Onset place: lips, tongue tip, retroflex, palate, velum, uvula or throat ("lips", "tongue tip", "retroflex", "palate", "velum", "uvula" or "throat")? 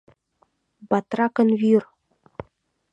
lips